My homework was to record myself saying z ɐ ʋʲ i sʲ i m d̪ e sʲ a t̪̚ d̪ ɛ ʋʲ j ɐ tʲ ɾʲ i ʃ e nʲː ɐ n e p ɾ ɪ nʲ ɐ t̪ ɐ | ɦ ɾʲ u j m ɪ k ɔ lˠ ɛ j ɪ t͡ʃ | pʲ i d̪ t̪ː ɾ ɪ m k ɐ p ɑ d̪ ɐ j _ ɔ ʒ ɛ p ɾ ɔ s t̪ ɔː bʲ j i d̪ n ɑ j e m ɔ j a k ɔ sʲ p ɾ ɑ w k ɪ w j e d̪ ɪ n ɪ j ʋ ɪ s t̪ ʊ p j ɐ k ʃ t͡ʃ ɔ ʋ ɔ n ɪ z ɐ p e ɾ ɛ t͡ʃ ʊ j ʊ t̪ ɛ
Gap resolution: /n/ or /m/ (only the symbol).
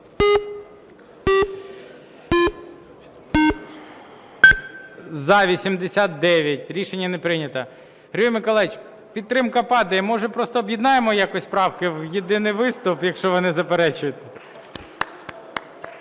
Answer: m